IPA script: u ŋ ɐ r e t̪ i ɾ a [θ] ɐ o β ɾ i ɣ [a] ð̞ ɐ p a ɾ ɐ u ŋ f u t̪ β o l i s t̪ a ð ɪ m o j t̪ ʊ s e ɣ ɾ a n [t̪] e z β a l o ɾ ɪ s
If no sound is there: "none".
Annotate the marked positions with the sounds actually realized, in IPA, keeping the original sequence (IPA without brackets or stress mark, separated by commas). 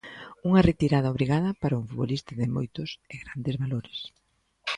ð, a, d̪